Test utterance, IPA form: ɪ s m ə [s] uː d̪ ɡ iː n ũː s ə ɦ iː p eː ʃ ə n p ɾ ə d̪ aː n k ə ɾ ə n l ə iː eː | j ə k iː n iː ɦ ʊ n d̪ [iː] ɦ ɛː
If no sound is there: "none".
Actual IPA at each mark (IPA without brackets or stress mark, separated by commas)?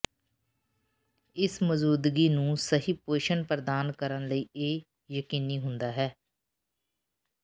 z, aː